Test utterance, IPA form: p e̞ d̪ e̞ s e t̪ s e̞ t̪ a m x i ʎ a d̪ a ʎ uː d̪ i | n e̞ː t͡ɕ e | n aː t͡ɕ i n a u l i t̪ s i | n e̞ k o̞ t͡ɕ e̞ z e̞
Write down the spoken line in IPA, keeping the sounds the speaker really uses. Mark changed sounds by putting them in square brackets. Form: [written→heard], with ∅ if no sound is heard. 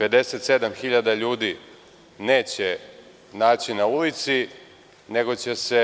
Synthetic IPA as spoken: p e̞ d̪ e̞ s e t̪ s e̞ [t̪→d̪] a m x i ʎ a d̪ a ʎ uː d̪ i | n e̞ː t͡ɕ e | n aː t͡ɕ i n a u l i t̪ s i | n e̞ [k→ɡ] o̞ t͡ɕ e̞ [z→s] e̞